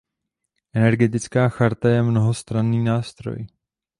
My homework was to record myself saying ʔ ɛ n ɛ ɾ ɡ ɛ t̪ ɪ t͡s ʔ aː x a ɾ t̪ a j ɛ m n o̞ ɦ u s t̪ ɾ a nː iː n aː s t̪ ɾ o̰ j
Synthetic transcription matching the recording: ʔ ɛ n ɛ ɾ ɡ ɛ t̪ ɪ t͡s k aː x a ɾ t̪ a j ɛ m n o̞ ɦ o s t̪ ɾ a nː iː n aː s t̪ ɾ o̰ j